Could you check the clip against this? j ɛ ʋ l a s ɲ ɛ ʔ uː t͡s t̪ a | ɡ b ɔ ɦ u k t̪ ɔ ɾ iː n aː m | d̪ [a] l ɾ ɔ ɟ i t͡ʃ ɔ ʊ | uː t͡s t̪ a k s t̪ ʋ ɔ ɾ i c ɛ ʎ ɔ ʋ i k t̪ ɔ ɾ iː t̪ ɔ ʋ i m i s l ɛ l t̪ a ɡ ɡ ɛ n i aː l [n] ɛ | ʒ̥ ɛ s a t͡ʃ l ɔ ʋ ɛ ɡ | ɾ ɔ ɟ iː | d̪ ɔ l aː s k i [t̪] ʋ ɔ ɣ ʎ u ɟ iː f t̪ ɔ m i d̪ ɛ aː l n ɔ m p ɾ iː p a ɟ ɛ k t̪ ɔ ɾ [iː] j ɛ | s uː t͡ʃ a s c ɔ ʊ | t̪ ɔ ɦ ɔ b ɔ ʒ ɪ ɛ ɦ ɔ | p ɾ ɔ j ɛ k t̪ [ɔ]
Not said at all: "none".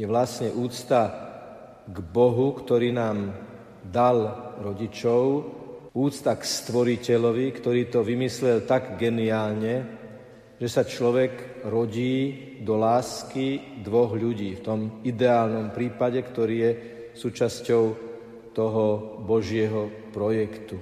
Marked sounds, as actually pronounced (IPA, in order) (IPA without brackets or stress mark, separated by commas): a, ɲ, d̪, iː, u